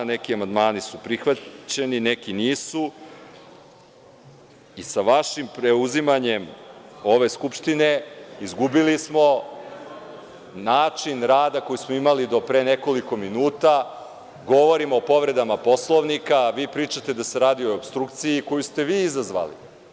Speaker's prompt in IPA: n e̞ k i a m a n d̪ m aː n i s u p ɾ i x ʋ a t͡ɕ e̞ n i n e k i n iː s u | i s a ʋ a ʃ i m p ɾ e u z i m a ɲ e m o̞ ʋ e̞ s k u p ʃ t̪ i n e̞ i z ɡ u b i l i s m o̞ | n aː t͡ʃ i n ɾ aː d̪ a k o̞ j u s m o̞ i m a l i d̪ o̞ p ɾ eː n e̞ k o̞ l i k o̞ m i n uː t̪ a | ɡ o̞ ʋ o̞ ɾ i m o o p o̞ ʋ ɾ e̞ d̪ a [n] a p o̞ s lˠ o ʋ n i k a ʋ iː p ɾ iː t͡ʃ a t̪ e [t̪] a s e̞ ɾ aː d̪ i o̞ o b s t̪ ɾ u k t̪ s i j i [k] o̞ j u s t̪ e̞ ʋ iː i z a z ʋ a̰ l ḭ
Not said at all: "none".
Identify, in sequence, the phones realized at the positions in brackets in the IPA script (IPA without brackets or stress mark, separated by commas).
m, d̪, k